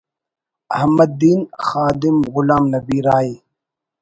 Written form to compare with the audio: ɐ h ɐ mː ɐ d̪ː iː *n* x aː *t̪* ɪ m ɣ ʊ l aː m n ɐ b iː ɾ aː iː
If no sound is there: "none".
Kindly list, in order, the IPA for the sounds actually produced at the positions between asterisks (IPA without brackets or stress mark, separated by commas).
n, d̪